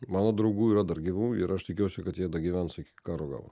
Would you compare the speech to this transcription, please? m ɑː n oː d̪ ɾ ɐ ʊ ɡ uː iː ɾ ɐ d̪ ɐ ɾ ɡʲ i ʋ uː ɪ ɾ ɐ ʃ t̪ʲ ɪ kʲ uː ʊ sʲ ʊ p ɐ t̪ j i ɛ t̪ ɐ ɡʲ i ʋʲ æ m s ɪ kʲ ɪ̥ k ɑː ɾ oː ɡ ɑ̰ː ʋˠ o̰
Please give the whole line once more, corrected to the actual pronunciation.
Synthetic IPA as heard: m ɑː n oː d̪ ɾ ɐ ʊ ɡ uː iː ɾ ɐ d̪ ɐ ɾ ɡʲ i ʋ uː ɪ ɾ ɐ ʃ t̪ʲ ɪ kʲ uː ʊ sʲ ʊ k ɐ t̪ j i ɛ d̪ ɐ ɡʲ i ʋʲ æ n s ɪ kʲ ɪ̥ k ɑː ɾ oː ɡ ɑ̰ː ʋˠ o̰